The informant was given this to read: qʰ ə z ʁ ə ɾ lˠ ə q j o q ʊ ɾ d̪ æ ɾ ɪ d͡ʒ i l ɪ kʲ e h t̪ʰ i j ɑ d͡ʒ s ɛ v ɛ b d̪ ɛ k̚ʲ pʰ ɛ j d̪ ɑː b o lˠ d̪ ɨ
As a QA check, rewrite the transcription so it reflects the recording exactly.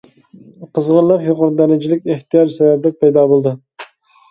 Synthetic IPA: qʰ ə z ʁ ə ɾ lˠ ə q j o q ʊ ɾ d̪ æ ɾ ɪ d͡ʒ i l ɪ kʲ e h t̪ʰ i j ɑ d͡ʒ s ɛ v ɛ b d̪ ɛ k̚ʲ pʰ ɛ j d̪ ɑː b o lˠ d̪ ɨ